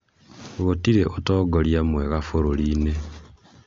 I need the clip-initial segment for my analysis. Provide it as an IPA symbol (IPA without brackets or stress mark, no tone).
ɣ